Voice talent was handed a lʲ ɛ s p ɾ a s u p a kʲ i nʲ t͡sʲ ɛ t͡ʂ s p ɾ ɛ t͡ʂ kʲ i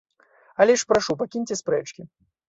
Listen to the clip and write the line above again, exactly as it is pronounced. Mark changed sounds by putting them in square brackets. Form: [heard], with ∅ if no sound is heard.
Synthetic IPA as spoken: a lʲ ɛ [ʂ] p ɾ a [ʂ] u p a kʲ i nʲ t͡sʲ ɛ [∅] s p ɾ ɛ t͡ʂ kʲ i